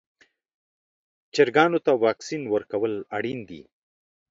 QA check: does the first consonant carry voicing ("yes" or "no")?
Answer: no